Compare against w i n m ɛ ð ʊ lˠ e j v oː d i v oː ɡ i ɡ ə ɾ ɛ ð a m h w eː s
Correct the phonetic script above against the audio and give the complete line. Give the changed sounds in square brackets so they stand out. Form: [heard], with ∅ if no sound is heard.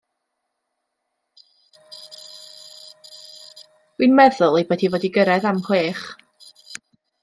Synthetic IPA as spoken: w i n m ɛ ð ʊ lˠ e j [b] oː d i v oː [d] i ɡ ə ɾ ɛ ð a m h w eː [χ]

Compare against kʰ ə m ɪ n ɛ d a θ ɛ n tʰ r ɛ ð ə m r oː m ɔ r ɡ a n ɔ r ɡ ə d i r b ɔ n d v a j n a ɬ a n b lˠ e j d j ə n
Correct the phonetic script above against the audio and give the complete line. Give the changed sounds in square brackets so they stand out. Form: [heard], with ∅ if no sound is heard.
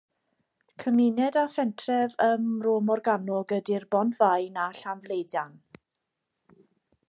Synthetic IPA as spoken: kʰ ə m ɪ n ɛ d a [f] ɛ n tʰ r ɛ [v] ə m r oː m ɔ r ɡ a n ɔ [∅] ɡ ə d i r b ɔ n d v a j n a ɬ a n [v] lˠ e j d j [a] n

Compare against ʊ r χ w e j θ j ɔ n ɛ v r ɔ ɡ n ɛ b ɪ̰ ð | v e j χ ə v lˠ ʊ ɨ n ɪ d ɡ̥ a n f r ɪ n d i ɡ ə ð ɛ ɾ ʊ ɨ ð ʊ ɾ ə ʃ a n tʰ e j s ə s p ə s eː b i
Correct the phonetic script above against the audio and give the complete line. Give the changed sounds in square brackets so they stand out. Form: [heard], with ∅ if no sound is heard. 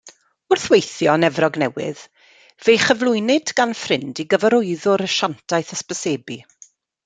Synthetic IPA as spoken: ʊ r [θ] w e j θ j ɔ n ɛ v r ɔ ɡ n ɛ [w] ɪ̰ ð | v e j χ ə v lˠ ʊ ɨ n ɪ d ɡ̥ a n f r ɪ n d i ɡ ə [v] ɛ ɾ ʊ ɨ ð ʊ ɾ ə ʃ a n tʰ [a] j [θ] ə s p ə s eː b i

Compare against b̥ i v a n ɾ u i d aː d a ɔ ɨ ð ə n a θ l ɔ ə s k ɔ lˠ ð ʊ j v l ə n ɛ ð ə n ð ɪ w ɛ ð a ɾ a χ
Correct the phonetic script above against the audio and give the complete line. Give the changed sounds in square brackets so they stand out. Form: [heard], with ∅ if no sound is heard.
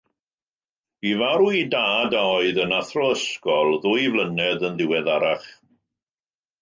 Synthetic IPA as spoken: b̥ i v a [∅] ɾ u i d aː d a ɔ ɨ ð ə n a θ [r] ɔ ə s k ɔ lˠ ð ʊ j v l ə n ɛ ð ə n ð ɪ w ɛ ð a ɾ a χ

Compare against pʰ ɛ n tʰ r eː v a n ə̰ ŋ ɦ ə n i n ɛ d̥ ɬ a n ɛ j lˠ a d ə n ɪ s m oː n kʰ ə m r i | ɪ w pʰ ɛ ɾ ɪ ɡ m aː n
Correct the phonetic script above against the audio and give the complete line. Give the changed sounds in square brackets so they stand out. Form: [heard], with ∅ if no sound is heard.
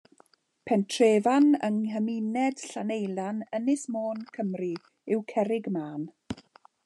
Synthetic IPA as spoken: pʰ ɛ n tʰ r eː v a n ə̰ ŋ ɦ ə [m] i n ɛ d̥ ɬ a n [e] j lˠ a [n] ə n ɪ s m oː n kʰ ə m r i | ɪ w [kʰ] ɛ ɾ ɪ ɡ m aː n

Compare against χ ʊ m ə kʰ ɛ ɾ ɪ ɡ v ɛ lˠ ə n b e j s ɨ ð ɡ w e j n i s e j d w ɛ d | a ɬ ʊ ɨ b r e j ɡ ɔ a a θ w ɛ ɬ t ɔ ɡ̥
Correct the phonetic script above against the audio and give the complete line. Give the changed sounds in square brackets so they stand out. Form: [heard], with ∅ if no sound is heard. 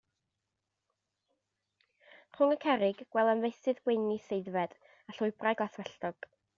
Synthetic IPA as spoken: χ ʊ [ŋ] ə kʰ ɛ ɾ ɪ ɡ [w] ɛ lˠ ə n [v] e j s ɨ ð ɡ w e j n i s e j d [v] ɛ d | a ɬ ʊ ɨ b r [a] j ɡ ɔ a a θ w ɛ ɬ t ɔ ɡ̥

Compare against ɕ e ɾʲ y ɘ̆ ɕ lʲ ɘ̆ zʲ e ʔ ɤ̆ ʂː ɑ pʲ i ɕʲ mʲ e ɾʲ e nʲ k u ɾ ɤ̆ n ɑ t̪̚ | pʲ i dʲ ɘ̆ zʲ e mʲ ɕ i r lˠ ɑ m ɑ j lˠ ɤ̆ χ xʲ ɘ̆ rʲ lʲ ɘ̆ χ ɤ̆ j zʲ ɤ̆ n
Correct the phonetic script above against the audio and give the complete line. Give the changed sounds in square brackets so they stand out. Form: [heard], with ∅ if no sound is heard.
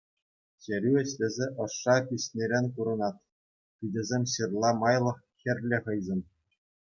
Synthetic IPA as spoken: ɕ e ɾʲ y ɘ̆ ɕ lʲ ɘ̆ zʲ e ʔ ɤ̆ ʂː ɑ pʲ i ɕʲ [nʲ] e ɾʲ e nʲ k u ɾ ɤ̆ n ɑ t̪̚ | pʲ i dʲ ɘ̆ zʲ e mʲ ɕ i r lˠ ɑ m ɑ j lˠ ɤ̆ χ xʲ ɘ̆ rʲ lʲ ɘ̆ χ ɤ̆ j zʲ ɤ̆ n

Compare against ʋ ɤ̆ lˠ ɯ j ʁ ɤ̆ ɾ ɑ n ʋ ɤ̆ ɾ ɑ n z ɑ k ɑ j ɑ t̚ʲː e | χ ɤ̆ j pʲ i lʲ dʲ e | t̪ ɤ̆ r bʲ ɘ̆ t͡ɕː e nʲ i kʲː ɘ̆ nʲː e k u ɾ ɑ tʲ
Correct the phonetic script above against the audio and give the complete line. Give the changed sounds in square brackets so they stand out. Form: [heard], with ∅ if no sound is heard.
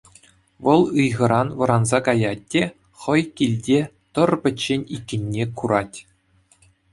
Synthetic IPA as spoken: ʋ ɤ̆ lˠ ɯ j ʁ ɤ̆ ɾ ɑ n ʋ ɤ̆ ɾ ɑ n z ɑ k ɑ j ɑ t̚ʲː e | χ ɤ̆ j [kʲ] i lʲ dʲ e | t̪ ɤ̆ r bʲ ɘ̆ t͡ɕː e nʲ i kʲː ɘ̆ nʲː e k u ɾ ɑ tʲ

